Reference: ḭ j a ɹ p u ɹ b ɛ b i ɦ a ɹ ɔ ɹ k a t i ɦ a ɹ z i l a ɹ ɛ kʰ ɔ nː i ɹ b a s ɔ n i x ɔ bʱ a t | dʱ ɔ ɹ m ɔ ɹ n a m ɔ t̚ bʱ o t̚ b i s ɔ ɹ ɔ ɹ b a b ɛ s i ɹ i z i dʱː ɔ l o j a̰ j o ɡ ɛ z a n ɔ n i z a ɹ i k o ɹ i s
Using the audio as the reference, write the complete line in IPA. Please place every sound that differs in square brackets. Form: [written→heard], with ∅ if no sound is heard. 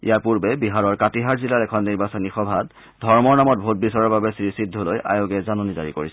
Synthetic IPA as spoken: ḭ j a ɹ p u ɹ b ɛ b i ɦ a ɹ ɔ ɹ k a t i ɦ a ɹ z i l a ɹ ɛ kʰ ɔ nː i ɹ b a s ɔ n i x ɔ bʱ a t | dʱ ɔ ɹ m ɔ ɹ n a m ɔ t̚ bʱ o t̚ b i s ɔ ɹ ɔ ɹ b a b ɛ s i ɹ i [z→s] i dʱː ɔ l o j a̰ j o ɡ ɛ z a n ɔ n i z a ɹ i k o ɹ i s